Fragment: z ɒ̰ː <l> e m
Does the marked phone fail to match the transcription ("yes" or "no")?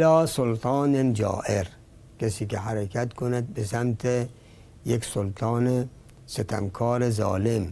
no